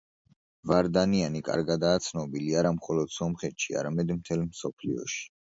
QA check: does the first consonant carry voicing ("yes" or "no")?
yes